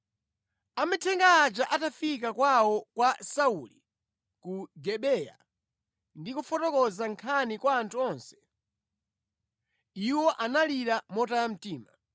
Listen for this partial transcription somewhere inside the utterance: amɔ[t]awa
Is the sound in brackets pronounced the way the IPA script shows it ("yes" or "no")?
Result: yes